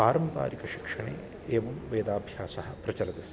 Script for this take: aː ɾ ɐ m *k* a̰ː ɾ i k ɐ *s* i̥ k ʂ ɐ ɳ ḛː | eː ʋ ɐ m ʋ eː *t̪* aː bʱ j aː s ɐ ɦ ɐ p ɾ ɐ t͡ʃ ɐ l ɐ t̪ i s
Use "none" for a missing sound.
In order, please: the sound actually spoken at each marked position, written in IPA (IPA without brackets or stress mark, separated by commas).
p, ʃ, d̪